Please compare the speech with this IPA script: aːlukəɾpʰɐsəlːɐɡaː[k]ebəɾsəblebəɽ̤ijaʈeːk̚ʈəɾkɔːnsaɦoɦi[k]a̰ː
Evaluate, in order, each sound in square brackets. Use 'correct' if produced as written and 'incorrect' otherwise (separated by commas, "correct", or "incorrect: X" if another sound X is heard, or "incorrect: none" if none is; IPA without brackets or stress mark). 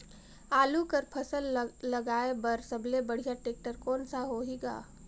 incorrect: none, incorrect: ɡ